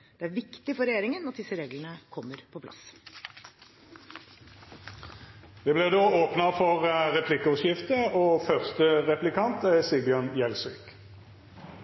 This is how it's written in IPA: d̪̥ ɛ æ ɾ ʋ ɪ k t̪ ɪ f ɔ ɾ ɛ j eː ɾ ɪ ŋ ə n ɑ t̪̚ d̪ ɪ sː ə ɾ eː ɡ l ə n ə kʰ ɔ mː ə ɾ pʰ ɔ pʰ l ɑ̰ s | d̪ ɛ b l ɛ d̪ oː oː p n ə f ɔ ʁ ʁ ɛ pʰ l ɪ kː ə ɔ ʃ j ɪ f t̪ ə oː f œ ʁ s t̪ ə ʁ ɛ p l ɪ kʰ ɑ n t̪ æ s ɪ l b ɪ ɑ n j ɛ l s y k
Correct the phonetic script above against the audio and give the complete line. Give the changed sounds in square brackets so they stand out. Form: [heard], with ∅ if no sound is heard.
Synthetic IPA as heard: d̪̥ ɛ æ ɾ ʋ ɪ k t̪ ɪ f ɔ ɾ ɛ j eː ɾ ɪ ŋ ə n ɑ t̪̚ d̪ ɪ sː ə ɾ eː ɡ l ə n ə kʰ ɔ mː ə ɾ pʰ ɔ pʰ l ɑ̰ s | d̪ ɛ b l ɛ d̪ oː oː p n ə f ɔ ʁ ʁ ɛ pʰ l ɪ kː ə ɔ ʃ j ɪ f t̪ ə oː f œ ʁ s t̪ ə ʁ ɛ p l ɪ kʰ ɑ n t̪ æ s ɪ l b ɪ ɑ n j ɛ l s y k